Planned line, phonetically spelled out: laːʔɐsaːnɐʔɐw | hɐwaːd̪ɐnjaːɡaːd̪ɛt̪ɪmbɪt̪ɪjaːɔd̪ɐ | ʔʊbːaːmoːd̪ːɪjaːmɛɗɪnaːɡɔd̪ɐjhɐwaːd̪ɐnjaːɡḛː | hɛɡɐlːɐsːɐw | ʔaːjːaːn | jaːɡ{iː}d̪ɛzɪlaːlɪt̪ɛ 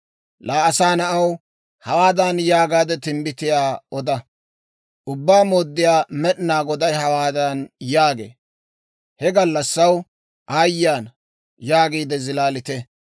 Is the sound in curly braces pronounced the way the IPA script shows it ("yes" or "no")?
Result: yes